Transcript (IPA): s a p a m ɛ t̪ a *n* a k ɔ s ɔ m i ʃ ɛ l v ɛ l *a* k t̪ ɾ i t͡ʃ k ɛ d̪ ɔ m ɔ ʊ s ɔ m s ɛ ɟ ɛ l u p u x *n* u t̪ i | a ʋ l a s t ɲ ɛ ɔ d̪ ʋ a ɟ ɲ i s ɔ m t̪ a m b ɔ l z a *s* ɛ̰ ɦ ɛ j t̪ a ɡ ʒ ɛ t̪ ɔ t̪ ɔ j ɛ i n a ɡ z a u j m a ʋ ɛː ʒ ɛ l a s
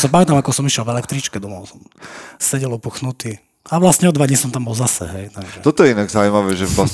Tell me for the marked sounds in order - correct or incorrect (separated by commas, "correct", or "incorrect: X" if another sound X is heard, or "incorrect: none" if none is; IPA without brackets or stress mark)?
incorrect: m, incorrect: ɛ, correct, correct